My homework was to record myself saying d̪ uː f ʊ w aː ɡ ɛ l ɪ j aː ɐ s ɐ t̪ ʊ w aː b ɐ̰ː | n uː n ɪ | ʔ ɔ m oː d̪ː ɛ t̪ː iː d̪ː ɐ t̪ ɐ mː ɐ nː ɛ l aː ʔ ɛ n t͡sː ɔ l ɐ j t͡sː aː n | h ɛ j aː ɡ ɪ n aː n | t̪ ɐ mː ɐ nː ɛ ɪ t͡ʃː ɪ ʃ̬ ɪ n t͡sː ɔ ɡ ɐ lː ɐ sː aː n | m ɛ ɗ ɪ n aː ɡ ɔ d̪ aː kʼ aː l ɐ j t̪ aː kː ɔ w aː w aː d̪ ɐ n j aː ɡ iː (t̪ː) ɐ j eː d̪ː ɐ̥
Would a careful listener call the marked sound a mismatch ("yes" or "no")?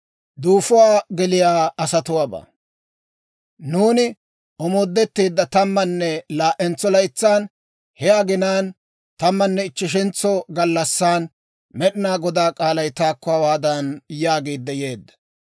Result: yes